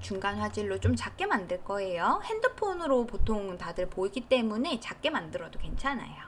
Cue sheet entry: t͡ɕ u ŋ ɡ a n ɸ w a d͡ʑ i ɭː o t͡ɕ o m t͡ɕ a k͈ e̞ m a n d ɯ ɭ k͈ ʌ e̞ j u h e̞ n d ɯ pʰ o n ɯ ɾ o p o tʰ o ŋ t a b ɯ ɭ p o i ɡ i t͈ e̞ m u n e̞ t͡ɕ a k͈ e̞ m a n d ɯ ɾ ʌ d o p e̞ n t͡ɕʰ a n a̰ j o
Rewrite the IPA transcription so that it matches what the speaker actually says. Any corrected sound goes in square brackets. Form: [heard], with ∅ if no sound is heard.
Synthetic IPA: t͡ɕ u ŋ ɡ a n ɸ w a d͡ʑ i ɭː o t͡ɕ o m t͡ɕ a k͈ e̞ m a n d ɯ ɭ k͈ ʌ e̞ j [o] h e̞ n d ɯ pʰ o n ɯ ɾ o p o tʰ o ŋ t a [d] ɯ ɭ p o i ɡ i t͈ e̞ m u n e̞ t͡ɕ a k͈ e̞ m a n d ɯ ɾ ʌ d o [k] e̞ n t͡ɕʰ a n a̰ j o

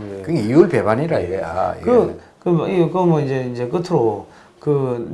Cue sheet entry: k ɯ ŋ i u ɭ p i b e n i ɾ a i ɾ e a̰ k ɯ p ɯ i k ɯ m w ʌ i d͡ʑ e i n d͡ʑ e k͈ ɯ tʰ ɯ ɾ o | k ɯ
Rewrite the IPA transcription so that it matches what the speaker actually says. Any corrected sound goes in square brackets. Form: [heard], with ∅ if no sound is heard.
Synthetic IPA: k ɯ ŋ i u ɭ p [e] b [a] n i ɾ a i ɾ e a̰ k ɯ [k] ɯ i k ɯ m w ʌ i d͡ʑ e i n d͡ʑ e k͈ ɯ tʰ ɯ ɾ o | k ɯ

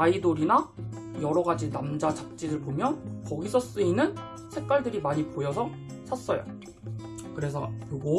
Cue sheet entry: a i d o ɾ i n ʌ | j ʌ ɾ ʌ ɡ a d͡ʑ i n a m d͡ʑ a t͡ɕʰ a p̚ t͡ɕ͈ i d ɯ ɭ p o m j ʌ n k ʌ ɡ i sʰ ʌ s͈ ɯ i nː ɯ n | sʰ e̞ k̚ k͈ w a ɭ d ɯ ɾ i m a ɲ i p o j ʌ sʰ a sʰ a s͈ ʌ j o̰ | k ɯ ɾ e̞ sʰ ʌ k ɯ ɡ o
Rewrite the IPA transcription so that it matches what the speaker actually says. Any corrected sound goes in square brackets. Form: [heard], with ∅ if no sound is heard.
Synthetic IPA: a i d o ɾ i n [a] | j ʌ ɾ ʌ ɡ a d͡ʑ i n a m d͡ʑ a [t͡ɕ] a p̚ t͡ɕ͈ i d ɯ ɭ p o m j ʌ n k ʌ ɡ i sʰ ʌ s͈ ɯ i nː ɯ n | sʰ e̞ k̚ k͈ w a ɭ d ɯ ɾ i m a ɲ i p o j ʌ sʰ [ʌ] sʰ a s͈ ʌ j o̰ | k ɯ ɾ e̞ sʰ ʌ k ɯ ɡ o

